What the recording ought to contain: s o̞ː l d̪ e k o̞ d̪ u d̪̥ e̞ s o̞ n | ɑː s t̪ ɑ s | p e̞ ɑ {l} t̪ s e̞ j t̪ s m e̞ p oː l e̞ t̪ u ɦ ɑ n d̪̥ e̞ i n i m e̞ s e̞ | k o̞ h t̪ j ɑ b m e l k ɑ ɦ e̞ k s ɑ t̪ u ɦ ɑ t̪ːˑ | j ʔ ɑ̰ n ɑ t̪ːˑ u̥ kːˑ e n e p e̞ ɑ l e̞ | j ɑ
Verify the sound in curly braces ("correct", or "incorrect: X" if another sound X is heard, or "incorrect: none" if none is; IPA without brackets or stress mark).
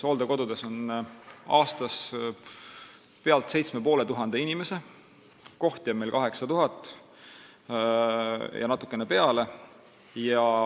correct